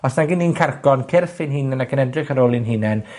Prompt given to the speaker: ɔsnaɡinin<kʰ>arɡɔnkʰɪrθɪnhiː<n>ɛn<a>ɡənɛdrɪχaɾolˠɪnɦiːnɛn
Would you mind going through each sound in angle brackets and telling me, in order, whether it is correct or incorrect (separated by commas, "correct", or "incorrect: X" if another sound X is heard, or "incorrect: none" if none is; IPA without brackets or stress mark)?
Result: correct, correct, correct